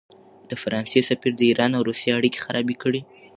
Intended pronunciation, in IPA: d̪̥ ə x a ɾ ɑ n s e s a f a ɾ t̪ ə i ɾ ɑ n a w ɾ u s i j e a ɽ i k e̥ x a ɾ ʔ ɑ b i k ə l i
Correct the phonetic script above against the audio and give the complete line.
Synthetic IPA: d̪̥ ə f a ɾ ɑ n s e s a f i ɾ d̪ ə i ɾ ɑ n a w ɾ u s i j e a ɽ i k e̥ x a ɾ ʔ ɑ b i k ə ɽ i